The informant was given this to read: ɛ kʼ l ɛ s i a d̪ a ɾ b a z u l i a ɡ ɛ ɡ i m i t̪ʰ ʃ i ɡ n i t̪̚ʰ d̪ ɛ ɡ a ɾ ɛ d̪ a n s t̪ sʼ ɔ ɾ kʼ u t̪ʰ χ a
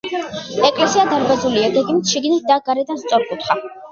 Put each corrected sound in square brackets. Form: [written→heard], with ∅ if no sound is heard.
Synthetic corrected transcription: ɛ kʼ l ɛ s i a d̪ a ɾ b a z u l i a ɡ ɛ ɡ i m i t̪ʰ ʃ i ɡ n i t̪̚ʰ d̪ [ɛ→a] ɡ a ɾ ɛ d̪ a n s t̪ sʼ ɔ ɾ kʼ u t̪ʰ χ a

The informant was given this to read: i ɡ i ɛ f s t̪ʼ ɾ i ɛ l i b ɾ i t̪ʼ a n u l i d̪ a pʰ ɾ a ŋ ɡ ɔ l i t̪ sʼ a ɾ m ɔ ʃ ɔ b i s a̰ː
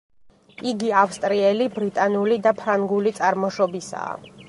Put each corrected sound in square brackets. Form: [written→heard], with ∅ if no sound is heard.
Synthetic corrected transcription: i ɡ i [ɛ→a] f s t̪ʼ ɾ i ɛ l i b ɾ i t̪ʼ a n u l i d̪ a pʰ ɾ a ŋ ɡ [ɔ→u] l i t̪ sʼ a ɾ m ɔ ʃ ɔ b i s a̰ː

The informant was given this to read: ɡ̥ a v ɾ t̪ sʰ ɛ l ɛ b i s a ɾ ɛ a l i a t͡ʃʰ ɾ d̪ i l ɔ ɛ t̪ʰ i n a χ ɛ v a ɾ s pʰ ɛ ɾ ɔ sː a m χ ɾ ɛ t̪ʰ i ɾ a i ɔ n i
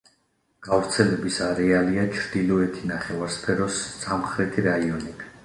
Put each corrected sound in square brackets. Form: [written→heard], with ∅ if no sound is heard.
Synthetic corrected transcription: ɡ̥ a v ɾ t̪ sʰ ɛ l ɛ b i s a ɾ ɛ a l i a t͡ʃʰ ɾ d̪ i l ɔ ɛ t̪ʰ i n a χ ɛ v a ɾ s pʰ ɛ ɾ ɔ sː a m χ ɾ ɛ t̪ʰ i ɾ a i ɔ n i

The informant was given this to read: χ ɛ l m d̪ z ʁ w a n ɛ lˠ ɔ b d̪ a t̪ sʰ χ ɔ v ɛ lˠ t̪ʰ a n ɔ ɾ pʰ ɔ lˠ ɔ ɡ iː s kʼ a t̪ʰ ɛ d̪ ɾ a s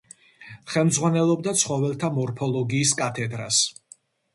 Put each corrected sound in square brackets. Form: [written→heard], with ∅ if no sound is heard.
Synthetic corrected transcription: χ ɛ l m d̪ z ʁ w a n ɛ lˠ ɔ b d̪ a t̪ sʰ χ ɔ v ɛ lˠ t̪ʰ a [n→m] ɔ ɾ pʰ ɔ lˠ ɔ ɡ iː s kʼ a t̪ʰ ɛ d̪ ɾ a s

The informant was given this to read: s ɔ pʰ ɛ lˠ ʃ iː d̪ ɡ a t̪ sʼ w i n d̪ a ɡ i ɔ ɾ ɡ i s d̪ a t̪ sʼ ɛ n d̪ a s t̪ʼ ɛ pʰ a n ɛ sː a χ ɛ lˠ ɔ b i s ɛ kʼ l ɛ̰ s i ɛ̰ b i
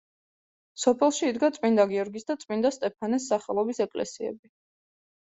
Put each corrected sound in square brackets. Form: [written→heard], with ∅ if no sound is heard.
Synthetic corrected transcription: s ɔ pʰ ɛ lˠ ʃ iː d̪ ɡ a t̪ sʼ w i n d̪ a ɡ i ɔ ɾ ɡ i s d̪ a t̪ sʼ [ɛ→i] n d̪ a s t̪ʼ ɛ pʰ a n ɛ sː a χ ɛ lˠ ɔ b i s ɛ kʼ l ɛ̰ s i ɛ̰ b i

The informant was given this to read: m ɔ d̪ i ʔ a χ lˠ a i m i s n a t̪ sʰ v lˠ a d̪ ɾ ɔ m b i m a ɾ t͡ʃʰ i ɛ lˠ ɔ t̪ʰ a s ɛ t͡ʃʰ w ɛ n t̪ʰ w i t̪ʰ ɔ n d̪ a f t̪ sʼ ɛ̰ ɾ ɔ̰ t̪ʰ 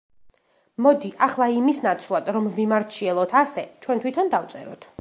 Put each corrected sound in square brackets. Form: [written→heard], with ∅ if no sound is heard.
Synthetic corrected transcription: m ɔ d̪ i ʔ a χ lˠ a i m i s n a t̪ sʰ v lˠ a d̪ ɾ ɔ m [b→v] i m a ɾ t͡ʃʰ i ɛ lˠ ɔ t̪ʰ a s ɛ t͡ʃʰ w ɛ n t̪ʰ w i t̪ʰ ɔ n d̪ a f t̪ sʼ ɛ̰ ɾ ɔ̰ t̪ʰ

